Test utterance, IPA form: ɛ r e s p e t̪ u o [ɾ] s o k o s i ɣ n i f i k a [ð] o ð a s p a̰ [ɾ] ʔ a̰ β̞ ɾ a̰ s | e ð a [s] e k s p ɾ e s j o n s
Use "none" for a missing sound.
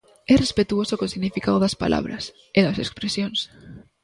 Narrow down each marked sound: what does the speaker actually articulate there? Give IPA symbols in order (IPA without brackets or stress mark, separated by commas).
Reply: none, ð, l, s